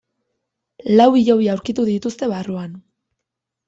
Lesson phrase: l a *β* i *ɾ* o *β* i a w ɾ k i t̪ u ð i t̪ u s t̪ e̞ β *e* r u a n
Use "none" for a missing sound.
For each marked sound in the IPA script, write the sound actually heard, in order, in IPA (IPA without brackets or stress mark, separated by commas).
w, ʎ, β, a